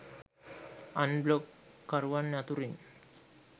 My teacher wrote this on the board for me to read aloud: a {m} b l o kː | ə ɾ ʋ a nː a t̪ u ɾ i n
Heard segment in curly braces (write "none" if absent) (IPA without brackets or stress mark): n